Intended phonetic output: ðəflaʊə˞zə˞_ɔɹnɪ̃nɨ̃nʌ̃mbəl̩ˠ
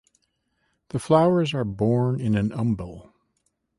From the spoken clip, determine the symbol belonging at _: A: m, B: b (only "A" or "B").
B